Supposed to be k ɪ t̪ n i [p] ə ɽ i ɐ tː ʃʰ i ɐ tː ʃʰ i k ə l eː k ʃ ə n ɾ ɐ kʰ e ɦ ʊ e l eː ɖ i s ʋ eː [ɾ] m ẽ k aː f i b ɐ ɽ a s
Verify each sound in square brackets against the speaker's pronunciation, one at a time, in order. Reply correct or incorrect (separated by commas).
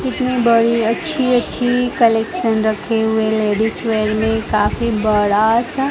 incorrect, correct